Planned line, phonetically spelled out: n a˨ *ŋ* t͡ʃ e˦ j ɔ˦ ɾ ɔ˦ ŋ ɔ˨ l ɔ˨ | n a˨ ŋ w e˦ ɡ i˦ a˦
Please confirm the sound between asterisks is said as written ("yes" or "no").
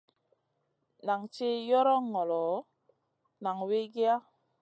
yes